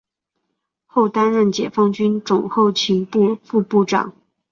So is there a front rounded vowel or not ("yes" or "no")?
yes